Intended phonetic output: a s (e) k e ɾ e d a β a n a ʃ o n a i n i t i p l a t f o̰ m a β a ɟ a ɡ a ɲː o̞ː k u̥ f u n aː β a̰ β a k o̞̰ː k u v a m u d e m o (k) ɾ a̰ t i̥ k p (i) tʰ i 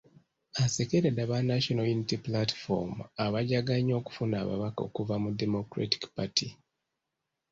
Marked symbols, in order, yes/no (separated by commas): yes, yes, no